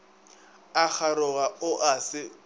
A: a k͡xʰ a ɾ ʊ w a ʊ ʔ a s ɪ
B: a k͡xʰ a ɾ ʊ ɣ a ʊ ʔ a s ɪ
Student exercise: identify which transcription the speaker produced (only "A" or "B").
B